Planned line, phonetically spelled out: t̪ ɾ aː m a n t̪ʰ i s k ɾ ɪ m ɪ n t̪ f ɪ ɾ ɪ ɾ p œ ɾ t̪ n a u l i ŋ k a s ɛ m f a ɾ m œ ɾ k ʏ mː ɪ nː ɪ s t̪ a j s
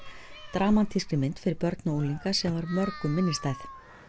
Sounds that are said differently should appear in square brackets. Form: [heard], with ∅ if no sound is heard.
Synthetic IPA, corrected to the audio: t̪ ɾ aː m a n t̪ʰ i s k ɾ ɪ m ɪ n t̪ f ɪ ɾ ɪ ɾ p œ ɾ t̪ n a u l i ŋ k a s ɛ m [v] a ɾ m œ ɾ k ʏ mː ɪ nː ɪ s t̪ a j [θ]

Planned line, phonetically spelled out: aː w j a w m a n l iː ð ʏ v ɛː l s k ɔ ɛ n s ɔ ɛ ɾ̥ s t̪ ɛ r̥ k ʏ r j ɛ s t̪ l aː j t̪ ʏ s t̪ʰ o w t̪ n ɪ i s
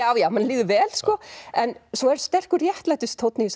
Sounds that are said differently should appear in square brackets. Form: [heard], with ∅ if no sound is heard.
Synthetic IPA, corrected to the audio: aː w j a w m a n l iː ð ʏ v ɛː l s k ɔ ɛ n s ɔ ɛ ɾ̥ s t̪ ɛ r̥ k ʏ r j ɛ [h] t̪ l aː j t̪ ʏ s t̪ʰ o w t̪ n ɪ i s

